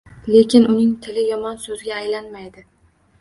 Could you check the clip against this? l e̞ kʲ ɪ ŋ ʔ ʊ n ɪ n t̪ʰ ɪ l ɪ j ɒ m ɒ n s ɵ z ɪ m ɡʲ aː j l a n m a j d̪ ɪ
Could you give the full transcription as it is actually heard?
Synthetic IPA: l e̞ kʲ ɪ n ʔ ʊ n ɪ ŋ t̪ʰ ɪ l ɪ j ɒ m ɒ n s ɵ z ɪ ɡʲ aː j l a n m a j d̪ ɪ

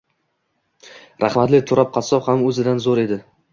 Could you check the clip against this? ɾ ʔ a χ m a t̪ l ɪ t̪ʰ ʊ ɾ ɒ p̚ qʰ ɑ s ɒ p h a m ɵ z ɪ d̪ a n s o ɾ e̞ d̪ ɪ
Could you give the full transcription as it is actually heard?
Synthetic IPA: ɾ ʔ a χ m a t̪ l ɪ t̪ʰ ʊ ɾ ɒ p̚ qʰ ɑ s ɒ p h a m ɵ z ɪ d̪ a n z o ɾ e̞ d̪ ɪ

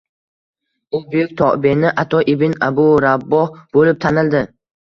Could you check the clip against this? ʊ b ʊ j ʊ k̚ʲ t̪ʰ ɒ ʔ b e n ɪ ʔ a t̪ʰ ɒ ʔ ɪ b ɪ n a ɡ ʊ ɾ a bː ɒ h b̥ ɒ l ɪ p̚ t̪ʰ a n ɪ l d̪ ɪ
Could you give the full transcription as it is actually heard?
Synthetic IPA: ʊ b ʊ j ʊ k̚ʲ t̪ʰ ɒ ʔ b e n ɪ ʔ a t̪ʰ ɒ ʔ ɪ b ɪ n a b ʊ ɾ a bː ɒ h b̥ o l ɪ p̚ t̪ʰ a n ɪ l d̪ ɪ

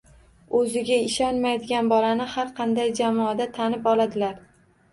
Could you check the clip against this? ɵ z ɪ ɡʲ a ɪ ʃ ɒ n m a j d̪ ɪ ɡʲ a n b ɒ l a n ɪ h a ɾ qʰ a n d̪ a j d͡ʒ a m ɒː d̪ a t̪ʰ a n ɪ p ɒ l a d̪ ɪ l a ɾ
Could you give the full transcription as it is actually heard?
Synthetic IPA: ɵ z ɪ ɡʲ a ɪ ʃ ɒ n m a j d̪ ɪ ɡʲ a n b ɒ l a n ɪ h a ɾ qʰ ɑ n d̪ a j d͡ʒ a m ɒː d̪ a t̪ʰ a n ɪ p ɒ l a d̪ ɪ l a ɾ

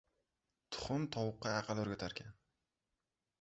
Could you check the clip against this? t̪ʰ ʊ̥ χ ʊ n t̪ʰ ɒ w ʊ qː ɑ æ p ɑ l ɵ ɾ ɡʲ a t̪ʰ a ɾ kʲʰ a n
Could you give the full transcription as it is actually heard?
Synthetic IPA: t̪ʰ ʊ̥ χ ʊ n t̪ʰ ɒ w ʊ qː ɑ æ q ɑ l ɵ ɾ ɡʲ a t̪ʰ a ɾ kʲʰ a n

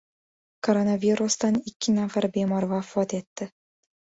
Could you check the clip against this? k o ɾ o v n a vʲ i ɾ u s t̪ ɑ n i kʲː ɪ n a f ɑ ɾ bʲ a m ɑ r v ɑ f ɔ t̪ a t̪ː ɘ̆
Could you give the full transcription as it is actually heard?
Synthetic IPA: k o ɾ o n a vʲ i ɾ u s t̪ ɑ n i kʲː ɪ n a f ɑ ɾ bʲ e m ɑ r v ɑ f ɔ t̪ e t̪ː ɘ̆

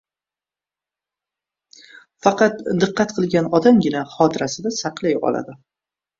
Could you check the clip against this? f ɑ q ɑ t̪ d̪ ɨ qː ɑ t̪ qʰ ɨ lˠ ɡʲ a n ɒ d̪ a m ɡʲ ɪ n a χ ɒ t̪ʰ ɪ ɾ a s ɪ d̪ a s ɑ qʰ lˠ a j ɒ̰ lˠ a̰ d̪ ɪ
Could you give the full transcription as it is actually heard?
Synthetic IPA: f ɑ q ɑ t̪ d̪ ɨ qː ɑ t̪ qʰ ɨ lˠ ɡʲ a n ɒ d̪ a m ɡʲ ɪ n a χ ɒ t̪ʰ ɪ ɾ a s ɪ d̪ a s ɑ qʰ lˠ a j ɒ̰ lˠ a̰ d̪ ɪ

